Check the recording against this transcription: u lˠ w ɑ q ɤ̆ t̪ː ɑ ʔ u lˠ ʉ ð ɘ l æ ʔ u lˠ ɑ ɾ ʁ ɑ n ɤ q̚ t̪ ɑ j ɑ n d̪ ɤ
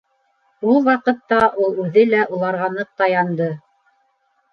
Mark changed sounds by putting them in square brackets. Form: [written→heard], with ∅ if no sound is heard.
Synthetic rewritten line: u lˠ w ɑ q ɤ̆ t̪ː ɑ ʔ u lˠ ʉ ð ɘ l æ ʔ u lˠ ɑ ɾ ʁ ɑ n ɤ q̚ t̪ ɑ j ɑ n d̪ ɤ